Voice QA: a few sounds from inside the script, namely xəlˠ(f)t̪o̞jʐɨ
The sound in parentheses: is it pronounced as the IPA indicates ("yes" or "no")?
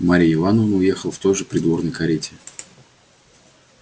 yes